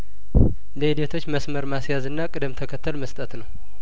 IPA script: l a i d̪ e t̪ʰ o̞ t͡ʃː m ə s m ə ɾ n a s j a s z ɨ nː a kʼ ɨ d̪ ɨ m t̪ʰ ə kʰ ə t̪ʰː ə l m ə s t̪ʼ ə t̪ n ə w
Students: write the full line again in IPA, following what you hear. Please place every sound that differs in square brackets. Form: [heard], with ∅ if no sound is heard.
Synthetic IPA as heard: l [ə] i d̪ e t̪ʰ o̞ t͡ʃː m ə s m ə ɾ [m] a s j a [∅] z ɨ nː a kʼ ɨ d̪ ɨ m t̪ʰ ə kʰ ə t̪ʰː ə l m ə s t̪ʼ ə t̪ n ə w